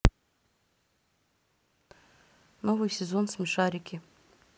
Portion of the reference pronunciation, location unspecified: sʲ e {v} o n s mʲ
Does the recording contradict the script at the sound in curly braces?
yes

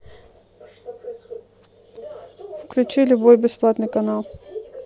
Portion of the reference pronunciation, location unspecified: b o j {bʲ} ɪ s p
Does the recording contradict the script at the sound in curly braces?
no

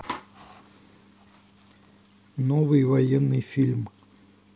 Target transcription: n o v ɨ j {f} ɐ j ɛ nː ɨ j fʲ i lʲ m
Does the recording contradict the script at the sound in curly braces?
yes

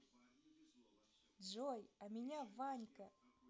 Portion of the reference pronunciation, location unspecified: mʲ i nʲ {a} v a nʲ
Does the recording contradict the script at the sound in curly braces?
no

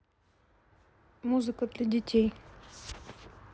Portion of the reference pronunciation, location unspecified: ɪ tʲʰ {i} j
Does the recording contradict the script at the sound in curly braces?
yes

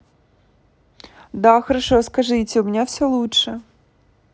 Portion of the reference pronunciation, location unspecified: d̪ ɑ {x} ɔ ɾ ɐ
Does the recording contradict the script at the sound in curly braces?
no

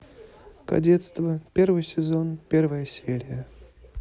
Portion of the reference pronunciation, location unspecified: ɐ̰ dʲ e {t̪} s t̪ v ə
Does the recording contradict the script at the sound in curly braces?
no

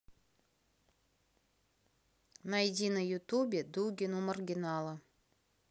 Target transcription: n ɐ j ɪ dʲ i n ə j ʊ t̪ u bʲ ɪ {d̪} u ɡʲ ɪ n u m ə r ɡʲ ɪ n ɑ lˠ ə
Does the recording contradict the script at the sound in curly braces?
no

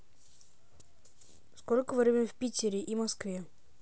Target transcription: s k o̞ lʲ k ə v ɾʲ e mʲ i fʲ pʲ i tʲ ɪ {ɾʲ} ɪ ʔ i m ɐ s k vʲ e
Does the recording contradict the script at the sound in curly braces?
no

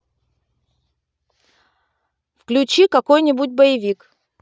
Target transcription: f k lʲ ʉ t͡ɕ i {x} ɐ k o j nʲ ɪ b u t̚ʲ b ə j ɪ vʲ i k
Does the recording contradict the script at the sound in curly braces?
yes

